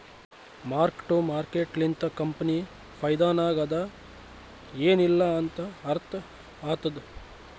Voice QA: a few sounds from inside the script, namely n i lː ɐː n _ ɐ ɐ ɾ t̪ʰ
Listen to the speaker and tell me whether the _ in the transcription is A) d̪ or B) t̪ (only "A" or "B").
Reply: B